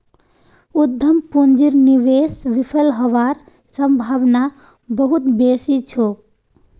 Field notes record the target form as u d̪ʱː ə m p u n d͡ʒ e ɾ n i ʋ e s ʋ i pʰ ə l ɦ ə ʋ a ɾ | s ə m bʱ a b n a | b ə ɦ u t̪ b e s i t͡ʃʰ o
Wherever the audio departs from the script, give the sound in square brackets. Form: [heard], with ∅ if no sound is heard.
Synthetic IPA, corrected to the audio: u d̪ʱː ə m p u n d͡ʒ [i] ɾ n i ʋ e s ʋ i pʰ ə l ɦ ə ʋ a ɾ | s ə m bʱ a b n a | b ə ɦ u t̪ b e s i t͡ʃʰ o